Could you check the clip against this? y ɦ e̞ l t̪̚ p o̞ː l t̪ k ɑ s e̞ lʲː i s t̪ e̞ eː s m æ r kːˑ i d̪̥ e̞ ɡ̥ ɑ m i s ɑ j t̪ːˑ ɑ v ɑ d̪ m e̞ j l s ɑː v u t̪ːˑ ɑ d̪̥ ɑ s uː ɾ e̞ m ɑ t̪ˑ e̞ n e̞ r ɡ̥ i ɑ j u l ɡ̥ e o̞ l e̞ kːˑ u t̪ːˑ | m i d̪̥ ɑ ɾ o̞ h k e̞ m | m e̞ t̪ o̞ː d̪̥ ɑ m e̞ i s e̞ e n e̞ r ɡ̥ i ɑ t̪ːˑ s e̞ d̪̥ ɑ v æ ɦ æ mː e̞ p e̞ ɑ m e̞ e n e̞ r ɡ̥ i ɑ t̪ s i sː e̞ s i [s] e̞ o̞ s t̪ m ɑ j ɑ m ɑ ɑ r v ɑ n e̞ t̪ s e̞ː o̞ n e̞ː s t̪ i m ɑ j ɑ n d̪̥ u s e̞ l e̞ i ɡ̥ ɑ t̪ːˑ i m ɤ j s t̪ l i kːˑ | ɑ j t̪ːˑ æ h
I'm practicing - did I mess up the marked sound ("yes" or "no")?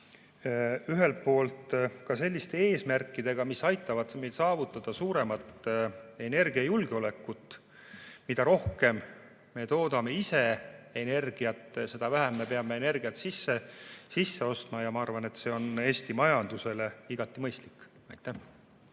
yes